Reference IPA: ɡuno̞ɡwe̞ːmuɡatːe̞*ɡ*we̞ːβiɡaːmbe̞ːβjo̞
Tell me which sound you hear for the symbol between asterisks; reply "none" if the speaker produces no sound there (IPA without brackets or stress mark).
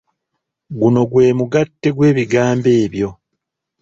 ɡ